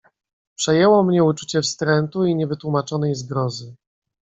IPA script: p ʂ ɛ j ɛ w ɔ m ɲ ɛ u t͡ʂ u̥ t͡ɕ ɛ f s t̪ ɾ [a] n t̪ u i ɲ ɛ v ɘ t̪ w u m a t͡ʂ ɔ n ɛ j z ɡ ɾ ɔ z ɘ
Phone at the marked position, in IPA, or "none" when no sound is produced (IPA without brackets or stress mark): ɛ